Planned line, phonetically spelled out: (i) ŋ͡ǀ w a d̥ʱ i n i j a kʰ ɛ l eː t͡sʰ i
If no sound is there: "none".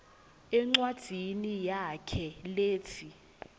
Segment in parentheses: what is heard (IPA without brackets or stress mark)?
ɛ